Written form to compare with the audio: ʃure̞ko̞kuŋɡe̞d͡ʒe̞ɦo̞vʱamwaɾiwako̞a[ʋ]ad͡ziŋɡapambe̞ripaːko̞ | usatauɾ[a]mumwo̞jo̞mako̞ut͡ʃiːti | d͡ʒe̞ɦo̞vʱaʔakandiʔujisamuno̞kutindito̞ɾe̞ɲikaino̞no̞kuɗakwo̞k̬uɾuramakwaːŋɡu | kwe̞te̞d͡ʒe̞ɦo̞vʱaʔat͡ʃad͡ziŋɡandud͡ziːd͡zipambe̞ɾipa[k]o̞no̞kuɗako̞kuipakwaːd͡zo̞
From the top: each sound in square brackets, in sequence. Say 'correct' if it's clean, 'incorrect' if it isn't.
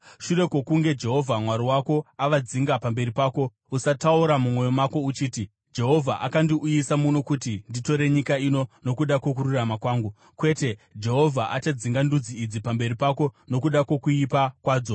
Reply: correct, correct, correct

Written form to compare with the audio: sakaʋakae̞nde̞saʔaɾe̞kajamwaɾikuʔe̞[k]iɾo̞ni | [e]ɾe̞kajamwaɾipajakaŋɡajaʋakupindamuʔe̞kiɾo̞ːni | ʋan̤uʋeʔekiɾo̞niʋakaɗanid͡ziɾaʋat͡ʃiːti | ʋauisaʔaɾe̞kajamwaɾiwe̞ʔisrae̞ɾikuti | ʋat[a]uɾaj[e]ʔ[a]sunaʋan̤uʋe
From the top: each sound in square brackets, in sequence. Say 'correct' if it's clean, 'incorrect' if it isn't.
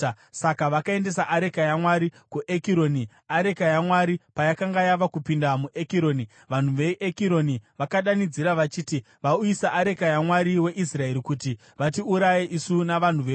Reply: correct, incorrect, incorrect, correct, incorrect

